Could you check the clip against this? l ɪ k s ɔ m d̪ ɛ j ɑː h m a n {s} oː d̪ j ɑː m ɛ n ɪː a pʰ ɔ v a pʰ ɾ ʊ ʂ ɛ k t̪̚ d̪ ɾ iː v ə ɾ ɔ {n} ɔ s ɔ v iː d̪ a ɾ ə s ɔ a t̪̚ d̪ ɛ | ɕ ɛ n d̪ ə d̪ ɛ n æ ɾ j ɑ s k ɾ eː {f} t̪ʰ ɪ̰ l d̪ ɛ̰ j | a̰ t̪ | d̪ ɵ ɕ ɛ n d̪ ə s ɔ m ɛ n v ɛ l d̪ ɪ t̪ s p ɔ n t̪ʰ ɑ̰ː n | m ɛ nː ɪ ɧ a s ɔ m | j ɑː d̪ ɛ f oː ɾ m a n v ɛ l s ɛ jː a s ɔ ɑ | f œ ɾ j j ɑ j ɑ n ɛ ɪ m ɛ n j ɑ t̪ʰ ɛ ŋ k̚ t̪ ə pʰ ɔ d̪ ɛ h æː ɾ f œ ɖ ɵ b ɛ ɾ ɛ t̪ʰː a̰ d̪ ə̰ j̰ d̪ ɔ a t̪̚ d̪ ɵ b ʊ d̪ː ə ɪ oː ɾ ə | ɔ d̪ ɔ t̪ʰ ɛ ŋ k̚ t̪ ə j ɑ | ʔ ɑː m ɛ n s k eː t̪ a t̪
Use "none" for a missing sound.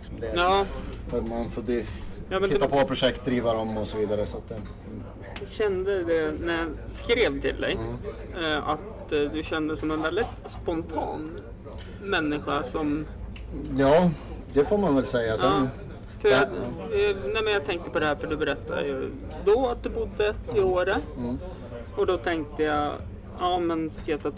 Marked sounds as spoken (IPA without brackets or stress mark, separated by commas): f, m, v